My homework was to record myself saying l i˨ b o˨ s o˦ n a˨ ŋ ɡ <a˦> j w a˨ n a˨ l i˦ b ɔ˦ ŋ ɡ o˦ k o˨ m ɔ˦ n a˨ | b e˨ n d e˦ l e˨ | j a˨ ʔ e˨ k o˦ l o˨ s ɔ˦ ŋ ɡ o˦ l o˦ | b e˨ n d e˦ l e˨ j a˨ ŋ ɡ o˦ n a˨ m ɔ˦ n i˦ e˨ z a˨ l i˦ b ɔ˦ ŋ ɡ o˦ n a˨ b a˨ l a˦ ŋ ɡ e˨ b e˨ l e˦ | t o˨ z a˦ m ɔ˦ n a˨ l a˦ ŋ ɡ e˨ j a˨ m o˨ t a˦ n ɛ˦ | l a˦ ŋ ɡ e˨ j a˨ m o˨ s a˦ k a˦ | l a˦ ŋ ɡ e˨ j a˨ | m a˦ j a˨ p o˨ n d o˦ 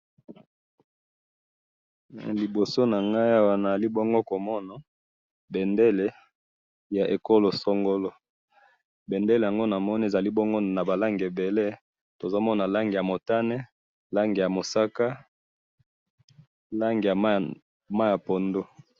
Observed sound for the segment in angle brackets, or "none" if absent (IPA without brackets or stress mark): a˦